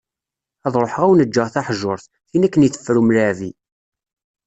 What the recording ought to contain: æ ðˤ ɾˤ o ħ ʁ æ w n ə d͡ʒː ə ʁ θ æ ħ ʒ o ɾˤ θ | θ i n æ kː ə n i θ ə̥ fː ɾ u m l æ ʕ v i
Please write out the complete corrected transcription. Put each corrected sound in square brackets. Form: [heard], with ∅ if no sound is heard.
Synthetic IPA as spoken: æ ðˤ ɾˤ o ħ ʁ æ w n ə d͡ʒː ə ʁ θ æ ħ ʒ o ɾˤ θ | θ i n æ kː ə n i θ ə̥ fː ɾ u m l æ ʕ v i